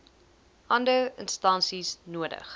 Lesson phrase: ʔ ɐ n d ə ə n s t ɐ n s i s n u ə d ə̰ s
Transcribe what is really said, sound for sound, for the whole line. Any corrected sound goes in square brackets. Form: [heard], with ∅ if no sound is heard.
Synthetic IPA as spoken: ʔ ɐ n d ə ə n s t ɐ n s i s n u ə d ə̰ [χ]